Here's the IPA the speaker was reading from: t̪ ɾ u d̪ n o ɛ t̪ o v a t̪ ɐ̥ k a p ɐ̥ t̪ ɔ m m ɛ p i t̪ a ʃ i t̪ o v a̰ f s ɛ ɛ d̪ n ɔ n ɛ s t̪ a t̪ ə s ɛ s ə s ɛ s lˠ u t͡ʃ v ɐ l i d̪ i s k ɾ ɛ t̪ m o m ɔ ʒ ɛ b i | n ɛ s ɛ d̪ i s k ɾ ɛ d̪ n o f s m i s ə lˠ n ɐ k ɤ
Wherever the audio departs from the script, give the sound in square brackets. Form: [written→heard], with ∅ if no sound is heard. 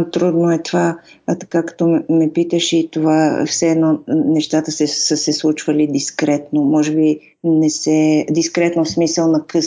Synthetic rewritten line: t̪ ɾ u d̪ n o ɛ t̪ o v a t̪ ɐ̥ k a [p→k] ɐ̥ t̪ ɔ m m ɛ p i t̪ [a→ə] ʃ i t̪ o v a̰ f s ɛ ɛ d̪ n ɔ n ɛ [s→ʃ] t̪ a t̪ ə s ɛ s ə s ɛ s lˠ u t͡ʃ v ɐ l i d̪ i s k ɾ ɛ t̪ [m→n] o m ɔ ʒ ɛ b i | n ɛ s ɛ d̪ i s k ɾ ɛ [d̪→t̪] n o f s m i s ə lˠ n ɐ k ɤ